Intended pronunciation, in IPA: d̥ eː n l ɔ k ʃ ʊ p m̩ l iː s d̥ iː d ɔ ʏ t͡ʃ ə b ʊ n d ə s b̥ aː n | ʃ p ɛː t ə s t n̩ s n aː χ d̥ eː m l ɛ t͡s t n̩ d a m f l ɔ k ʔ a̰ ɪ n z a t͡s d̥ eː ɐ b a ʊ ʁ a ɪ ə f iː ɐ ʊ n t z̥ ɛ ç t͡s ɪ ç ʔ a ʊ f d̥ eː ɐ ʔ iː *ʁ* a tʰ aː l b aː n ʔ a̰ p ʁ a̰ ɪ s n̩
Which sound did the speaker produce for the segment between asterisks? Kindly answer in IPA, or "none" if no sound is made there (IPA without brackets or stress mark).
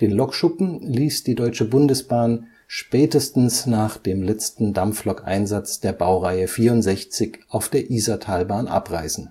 z